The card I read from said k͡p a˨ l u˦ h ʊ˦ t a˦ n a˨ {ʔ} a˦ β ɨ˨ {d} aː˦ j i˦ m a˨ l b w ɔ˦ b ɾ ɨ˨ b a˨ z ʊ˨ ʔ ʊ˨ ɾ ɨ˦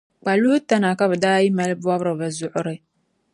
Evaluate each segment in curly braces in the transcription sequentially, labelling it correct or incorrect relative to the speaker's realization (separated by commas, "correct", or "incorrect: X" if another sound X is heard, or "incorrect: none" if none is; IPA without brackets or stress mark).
incorrect: k, correct